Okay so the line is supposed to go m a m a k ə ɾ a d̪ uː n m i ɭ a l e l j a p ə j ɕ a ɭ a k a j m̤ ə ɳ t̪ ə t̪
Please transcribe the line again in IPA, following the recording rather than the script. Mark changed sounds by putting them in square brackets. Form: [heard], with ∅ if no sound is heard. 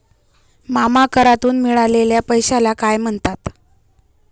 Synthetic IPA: m a m a k ə ɾ a [t̪] uː n m i ɭ a l e l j a p ə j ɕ a [l] a k a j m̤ ə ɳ t̪ [a] t̪